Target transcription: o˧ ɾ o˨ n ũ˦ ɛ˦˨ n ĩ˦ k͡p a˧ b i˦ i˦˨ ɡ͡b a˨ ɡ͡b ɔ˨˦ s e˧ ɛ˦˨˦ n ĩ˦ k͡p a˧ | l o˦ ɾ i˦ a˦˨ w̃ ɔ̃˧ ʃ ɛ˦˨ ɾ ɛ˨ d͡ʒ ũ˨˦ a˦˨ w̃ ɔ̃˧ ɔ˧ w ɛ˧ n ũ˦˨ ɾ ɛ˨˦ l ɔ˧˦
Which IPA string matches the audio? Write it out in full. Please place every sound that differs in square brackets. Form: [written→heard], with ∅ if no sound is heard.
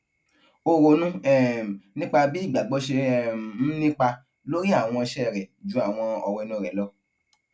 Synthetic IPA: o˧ ɾ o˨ n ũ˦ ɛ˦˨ n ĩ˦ k͡p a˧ b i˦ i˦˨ ɡ͡b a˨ ɡ͡b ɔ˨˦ [s→ʃ] e˧ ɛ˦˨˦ n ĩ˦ k͡p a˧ | l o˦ ɾ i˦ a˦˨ w̃ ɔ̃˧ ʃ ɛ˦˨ ɾ ɛ˨ d͡ʒ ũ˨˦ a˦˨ w̃ ɔ̃˧ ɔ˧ w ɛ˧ n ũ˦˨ ɾ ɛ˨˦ l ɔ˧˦